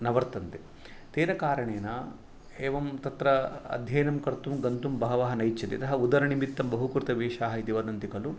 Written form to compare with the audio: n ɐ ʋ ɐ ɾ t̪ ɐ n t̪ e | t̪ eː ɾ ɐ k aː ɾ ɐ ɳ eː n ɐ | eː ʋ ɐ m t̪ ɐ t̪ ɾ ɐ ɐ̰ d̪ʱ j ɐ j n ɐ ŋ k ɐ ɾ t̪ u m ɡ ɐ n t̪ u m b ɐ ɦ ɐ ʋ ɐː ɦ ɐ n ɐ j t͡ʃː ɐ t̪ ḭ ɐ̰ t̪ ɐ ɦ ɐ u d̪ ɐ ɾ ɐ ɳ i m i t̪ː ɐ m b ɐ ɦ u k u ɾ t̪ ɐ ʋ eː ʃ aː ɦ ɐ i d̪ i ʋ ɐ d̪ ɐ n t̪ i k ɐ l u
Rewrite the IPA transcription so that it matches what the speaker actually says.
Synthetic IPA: n ɐ ʋ ɐ ɾ t̪ ɐ n t̪ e | t̪ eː ɾ ɐ k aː ɾ ɐ ɳ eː n ɐ | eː ʋ ɐ m t̪ ɐ t̪ ɾ ɐ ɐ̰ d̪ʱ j ɐ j n ɐ m k ɐ ɾ t̪ u m ɡ ɐ n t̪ u m b ɐ ɦ ɐ ʋ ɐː ɦ ɐ n ɐ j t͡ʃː ɐ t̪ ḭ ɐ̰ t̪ ɐ ɦ ɐ u d̪ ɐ ɾ ɐ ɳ i m i t̪ː ɐ m b ɐ ɦ u k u ɾ t̪ ɐ ʋ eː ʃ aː ɦ ɐ i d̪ i ʋ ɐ d̪ ɐ n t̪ i k ɐ l u